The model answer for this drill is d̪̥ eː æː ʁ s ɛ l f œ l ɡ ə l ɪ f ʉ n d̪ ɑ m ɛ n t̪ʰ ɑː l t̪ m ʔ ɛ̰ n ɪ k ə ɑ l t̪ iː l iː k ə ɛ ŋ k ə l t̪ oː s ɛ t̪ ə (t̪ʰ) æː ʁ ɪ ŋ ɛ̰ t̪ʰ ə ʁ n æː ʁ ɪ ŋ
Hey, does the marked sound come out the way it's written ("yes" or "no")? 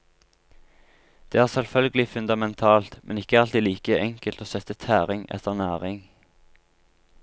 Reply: yes